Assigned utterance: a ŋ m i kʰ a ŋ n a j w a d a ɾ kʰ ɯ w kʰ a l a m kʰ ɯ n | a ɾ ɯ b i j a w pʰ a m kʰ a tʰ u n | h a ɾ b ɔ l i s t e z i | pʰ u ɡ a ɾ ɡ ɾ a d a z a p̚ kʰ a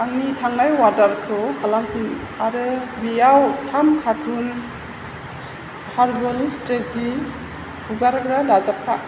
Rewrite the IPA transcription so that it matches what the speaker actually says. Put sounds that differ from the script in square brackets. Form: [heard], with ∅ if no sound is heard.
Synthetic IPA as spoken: a ŋ [n] i [tʰ] a ŋ n a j w a d a ɾ kʰ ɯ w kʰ a l a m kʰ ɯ n | a ɾ ɯ b i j a w [tʰ] a m kʰ a tʰ u n | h a ɾ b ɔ l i s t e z i | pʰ u ɡ a ɾ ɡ ɾ a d a z a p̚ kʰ a